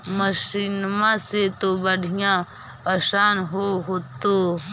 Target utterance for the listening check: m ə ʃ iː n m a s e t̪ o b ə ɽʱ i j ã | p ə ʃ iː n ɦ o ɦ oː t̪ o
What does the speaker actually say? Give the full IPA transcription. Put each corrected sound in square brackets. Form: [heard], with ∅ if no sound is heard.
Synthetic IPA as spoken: m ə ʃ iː n m a s e t̪ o b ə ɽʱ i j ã | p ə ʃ [aː] n ɦ o ɦ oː t̪ o